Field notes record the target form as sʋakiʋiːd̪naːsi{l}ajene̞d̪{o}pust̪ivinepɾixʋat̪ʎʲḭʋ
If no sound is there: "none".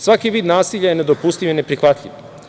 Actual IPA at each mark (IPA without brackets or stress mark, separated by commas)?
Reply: ʎ, o